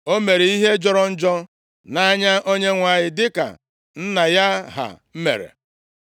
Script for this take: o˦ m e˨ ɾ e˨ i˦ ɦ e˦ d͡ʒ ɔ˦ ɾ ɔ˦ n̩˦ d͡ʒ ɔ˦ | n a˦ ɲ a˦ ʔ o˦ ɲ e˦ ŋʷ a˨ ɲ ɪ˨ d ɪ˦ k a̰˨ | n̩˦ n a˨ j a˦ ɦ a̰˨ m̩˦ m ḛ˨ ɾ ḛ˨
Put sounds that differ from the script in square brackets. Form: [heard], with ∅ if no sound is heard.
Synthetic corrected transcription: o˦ m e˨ ɾ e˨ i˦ ɦ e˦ d͡ʒ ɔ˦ ɾ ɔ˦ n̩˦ d͡ʒ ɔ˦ | n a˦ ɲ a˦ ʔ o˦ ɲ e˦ ŋʷ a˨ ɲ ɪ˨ d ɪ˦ k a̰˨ | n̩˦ n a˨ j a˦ ɦ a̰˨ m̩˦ m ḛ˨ ɾ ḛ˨